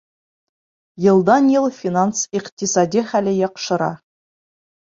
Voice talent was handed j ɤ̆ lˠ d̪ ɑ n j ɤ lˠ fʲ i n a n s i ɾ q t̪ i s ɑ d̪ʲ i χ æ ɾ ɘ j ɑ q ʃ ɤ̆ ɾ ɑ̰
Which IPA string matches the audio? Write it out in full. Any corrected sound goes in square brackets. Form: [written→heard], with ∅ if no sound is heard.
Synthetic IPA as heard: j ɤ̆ lˠ d̪ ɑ n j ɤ lˠ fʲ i n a n s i [ɾ→∅] q t̪ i s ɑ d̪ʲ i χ æ [ɾ→l] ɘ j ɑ q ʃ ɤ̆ ɾ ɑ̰